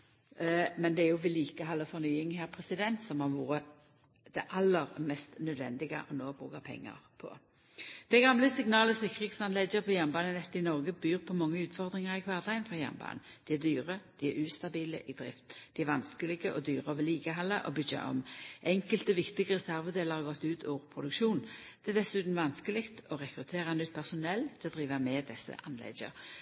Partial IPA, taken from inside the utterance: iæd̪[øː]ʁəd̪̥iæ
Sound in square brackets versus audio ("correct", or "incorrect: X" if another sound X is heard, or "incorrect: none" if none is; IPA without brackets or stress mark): incorrect: yː